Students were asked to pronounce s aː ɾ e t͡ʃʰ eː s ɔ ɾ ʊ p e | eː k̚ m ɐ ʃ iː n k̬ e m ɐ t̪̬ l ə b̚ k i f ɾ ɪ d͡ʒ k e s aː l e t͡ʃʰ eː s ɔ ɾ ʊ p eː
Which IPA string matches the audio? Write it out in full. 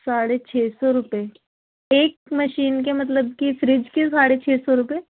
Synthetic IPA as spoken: s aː ɽ e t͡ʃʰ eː s ɔ ɾ ʊ p e | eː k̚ m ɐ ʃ iː n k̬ e m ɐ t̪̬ l ə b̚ k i f ɾ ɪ d͡ʒ k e s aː ɽ e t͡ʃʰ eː s ɔ ɾ ʊ p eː